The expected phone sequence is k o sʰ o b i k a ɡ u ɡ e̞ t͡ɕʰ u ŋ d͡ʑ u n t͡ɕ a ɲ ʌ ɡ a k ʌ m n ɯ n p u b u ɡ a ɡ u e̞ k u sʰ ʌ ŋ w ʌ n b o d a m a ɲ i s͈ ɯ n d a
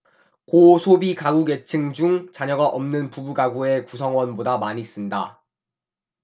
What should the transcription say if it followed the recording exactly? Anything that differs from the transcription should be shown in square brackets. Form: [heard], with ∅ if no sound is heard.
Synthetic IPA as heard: k o sʰ o b i k a ɡ u ɡ e̞ t͡ɕʰ [ɯ] ŋ d͡ʑ u [ŋ] t͡ɕ a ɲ ʌ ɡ a [ʔ] ʌ m n ɯ n p u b u ɡ a ɡ u e̞ k u sʰ ʌ ŋ w ʌ n b o d a m a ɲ i s͈ ɯ n d a